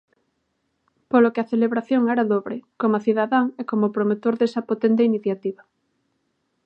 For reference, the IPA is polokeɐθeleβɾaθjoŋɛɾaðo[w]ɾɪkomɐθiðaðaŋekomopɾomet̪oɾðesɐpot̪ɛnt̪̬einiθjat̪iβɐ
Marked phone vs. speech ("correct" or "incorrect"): incorrect